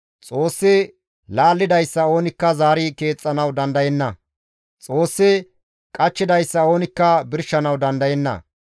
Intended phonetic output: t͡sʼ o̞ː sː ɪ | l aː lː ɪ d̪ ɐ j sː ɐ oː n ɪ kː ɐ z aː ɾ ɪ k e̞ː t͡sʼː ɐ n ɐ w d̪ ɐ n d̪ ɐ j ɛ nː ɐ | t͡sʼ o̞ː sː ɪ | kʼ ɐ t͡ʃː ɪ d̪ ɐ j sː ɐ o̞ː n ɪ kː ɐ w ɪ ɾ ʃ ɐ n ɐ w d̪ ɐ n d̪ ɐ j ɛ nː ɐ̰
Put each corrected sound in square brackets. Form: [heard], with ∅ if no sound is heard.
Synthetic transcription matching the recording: t͡sʼ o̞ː sː ɪ | l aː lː ɪ d̪ ɐ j sː ɐ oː n ɪ kː ɐ z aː ɾ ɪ k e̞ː t͡sʼː ɐ n ɐ w d̪ ɐ n d̪ ɐ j ɛ nː ɐ | t͡sʼ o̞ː sː ɪ | kʼ ɐ t͡ʃː ɪ d̪ ɐ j sː ɐ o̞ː n ɪ kː ɐ [b] ɪ ɾ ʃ ɐ n ɐ w d̪ ɐ n d̪ ɐ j ɛ nː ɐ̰